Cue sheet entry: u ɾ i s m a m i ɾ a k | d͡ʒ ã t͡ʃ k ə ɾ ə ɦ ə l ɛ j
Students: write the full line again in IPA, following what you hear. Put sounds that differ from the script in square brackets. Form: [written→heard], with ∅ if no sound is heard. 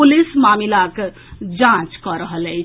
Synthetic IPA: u [ɾ→l] i s m a m i [ɾ→l] a k | d͡ʒ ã t͡ʃ k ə ɾ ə ɦ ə l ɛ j

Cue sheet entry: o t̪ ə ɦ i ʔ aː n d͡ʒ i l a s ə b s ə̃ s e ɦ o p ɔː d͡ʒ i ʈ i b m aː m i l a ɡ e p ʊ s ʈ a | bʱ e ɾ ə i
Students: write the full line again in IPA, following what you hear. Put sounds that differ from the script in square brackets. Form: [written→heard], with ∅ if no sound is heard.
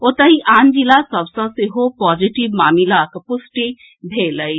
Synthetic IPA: o t̪ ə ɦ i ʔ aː n d͡ʒ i l a s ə b s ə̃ s e ɦ o p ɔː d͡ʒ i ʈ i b m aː m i l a [ɡ→k] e p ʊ s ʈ [a→i] | bʱ e [ɾ→l] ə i

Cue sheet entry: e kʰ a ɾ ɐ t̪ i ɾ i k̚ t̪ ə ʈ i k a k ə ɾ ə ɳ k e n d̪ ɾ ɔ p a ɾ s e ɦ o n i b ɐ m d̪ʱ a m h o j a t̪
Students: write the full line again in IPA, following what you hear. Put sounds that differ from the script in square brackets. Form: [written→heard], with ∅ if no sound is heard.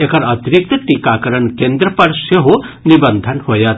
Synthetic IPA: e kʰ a ɾ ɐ t̪ i ɾ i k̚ t̪ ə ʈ i k a k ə ɾ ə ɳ k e n d̪ ɾ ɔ p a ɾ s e ɦ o n i b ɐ [m→n] d̪ʱ a [m→n] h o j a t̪

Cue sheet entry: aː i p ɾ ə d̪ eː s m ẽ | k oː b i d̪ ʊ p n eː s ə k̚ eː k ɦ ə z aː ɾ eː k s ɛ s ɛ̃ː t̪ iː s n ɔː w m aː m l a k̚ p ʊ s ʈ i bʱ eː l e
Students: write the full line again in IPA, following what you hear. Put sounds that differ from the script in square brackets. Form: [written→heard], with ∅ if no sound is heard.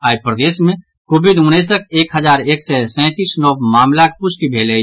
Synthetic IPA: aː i p ɾ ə d̪ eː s m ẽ | k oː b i d̪ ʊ [p→∅] n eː s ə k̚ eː k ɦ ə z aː ɾ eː k s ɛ s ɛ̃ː t̪ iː s n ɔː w m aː m l a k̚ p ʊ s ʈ i bʱ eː l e

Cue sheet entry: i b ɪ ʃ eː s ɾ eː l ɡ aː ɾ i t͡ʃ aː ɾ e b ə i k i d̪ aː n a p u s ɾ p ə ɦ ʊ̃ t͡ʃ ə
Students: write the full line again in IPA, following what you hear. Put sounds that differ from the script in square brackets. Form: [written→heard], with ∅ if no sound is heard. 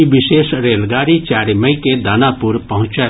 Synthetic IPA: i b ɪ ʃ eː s ɾ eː l ɡ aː ɾ i t͡ʃ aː ɾ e [b→m] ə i k [i→e] d̪ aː n a p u [s→∅] ɾ p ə ɦ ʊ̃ t͡ʃ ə

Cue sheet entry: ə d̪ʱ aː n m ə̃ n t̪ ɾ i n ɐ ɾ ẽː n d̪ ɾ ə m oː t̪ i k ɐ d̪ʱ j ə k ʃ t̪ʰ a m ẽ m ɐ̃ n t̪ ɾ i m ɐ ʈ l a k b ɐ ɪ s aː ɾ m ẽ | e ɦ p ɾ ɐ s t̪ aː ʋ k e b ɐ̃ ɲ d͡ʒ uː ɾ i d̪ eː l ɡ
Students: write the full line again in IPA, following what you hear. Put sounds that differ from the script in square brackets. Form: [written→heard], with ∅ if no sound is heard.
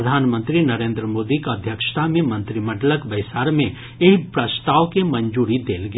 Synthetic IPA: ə d̪ʱ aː n m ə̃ n t̪ ɾ i n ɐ ɾ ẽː n d̪ ɾ ə m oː [t̪→d̪] i k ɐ d̪ʱ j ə k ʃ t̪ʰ a m ẽ m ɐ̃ n t̪ ɾ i m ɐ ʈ l [a→ə] k b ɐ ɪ s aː ɾ m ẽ | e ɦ p ɾ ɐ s t̪ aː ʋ k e [b→m] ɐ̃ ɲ d͡ʒ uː ɾ i d̪ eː l ɡ

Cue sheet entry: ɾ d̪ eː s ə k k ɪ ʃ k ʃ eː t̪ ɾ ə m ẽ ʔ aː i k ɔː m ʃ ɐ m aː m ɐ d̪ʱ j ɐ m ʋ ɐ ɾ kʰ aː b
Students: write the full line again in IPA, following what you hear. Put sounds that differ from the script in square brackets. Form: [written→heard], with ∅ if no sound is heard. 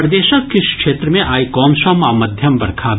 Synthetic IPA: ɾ d̪ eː [s→ʃ] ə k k ɪ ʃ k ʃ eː t̪ ɾ ə m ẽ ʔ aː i k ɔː m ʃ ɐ m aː m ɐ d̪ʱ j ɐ m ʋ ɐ ɾ kʰ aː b

